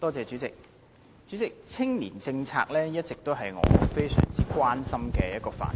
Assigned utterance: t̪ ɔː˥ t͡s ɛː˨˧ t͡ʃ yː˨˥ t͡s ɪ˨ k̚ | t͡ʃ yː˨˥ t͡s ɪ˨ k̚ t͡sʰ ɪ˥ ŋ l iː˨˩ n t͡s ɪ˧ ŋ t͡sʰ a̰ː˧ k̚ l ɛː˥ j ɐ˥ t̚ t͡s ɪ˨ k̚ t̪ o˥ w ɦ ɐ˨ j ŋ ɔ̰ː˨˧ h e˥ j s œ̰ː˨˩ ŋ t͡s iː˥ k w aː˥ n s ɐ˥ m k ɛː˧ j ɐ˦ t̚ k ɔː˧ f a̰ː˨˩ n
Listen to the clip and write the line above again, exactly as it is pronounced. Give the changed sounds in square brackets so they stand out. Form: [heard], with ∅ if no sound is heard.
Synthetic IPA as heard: t̪ ɔː˥ t͡s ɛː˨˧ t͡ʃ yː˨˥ t͡s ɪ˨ k̚ | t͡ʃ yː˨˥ t͡s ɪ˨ k̚ t͡sʰ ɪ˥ ŋ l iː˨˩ n t͡s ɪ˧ ŋ t͡sʰ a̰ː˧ k̚ l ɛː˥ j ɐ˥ t̚ t͡s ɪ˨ k̚ t̪ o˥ w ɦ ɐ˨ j ŋ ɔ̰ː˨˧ [f] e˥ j s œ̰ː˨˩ ŋ t͡s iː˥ k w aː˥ n s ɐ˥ m k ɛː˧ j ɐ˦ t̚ k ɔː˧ f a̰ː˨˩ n